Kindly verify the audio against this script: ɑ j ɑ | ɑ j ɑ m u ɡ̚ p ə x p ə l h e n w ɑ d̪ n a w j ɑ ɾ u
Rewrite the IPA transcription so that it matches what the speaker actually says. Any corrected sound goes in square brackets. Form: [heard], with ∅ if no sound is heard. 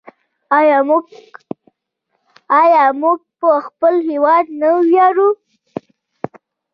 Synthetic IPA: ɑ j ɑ | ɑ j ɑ m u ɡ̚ p ə x p ə l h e [∅] w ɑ d̪ n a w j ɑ ɾ u